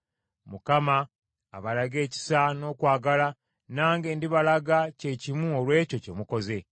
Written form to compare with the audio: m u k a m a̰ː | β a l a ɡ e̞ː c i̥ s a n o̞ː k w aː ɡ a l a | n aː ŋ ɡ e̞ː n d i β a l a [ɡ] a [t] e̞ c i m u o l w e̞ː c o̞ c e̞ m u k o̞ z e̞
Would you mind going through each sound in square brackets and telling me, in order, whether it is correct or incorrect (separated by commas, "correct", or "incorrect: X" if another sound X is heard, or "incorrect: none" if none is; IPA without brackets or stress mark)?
correct, incorrect: c